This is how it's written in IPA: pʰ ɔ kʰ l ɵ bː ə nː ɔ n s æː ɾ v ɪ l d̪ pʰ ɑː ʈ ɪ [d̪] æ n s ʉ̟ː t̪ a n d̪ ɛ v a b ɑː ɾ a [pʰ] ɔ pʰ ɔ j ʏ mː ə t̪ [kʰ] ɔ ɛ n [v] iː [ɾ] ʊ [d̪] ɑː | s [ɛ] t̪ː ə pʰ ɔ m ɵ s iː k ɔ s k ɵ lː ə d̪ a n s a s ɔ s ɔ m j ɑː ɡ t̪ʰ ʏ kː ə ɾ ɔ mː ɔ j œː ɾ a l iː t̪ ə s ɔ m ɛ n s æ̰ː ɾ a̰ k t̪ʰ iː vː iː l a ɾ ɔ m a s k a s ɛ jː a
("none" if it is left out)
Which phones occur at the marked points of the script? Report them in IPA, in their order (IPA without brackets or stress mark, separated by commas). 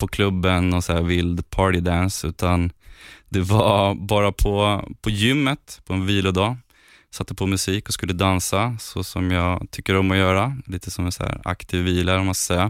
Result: d̪, pʰ, pʰ, v, l, d̪, a